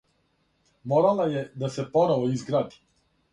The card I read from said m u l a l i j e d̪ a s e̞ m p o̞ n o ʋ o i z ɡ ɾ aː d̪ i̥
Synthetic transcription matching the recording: m o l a l a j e d̪ a s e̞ p o̞ n o ʋ o i z ɡ ɾ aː d̪ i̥